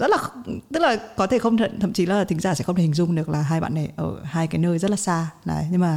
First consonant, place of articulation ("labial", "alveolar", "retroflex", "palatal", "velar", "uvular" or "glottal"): alveolar